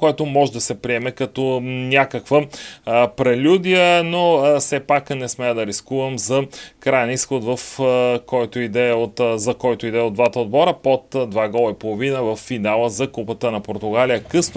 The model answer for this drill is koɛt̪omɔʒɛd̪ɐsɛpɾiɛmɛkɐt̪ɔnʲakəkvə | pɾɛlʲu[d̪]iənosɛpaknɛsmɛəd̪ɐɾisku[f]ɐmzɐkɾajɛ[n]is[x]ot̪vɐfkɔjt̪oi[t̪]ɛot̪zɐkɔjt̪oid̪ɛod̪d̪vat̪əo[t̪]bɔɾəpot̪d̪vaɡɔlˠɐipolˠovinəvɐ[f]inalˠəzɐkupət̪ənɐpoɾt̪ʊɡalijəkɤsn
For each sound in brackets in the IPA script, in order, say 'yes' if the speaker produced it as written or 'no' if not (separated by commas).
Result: yes, no, yes, yes, no, no, no